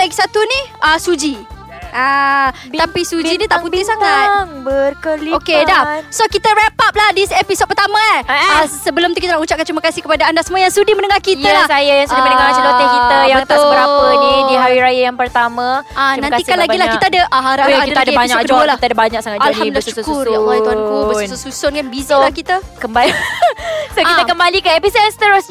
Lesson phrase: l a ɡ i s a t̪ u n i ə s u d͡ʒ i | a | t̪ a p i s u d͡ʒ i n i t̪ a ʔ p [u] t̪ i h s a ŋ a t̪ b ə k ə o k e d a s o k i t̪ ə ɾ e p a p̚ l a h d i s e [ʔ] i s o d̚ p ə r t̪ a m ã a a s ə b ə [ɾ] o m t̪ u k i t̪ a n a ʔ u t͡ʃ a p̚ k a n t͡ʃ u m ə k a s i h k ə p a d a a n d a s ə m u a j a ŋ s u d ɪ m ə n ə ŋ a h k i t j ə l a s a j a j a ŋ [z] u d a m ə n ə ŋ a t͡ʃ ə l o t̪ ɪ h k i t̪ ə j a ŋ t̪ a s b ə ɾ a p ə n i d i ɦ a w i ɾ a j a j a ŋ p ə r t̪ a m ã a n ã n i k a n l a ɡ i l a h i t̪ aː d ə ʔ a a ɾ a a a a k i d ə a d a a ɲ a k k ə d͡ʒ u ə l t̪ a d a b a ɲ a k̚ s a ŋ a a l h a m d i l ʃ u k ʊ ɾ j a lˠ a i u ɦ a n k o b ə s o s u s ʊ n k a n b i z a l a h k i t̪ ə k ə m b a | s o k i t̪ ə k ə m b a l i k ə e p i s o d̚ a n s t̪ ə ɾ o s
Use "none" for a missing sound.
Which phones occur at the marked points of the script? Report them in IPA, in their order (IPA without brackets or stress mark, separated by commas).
u, p, l, s